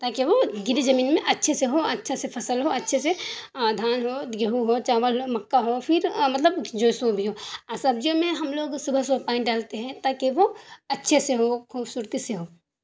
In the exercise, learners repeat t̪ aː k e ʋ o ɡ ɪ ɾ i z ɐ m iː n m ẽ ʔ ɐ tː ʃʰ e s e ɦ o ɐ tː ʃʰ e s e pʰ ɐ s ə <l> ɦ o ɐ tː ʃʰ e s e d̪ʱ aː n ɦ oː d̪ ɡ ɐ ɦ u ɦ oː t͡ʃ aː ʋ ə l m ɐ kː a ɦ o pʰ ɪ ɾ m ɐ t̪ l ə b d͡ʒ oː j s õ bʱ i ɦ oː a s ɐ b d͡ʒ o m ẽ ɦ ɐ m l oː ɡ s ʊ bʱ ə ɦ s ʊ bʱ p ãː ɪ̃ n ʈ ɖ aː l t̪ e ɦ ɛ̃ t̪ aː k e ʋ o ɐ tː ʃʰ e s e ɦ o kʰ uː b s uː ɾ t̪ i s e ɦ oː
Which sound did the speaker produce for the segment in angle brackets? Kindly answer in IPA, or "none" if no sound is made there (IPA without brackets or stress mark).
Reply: l